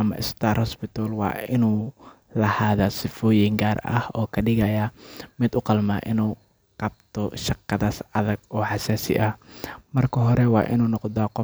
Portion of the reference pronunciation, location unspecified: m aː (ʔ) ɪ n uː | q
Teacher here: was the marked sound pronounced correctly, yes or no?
yes